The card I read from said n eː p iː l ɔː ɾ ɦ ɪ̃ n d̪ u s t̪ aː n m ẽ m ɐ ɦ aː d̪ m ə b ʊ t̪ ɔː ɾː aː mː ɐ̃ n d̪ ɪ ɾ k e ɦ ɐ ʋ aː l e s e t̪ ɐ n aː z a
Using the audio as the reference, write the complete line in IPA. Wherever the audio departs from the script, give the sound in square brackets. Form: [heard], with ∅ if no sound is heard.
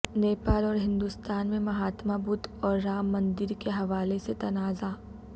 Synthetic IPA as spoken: n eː p [aː] l ɔː ɾ ɦ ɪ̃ n d̪ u s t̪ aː n m ẽ m ɐ ɦ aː [t̪] m [a] b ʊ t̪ ɔː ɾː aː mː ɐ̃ n d̪ ɪ ɾ k e ɦ ɐ ʋ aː l e s e t̪ ɐ n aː z a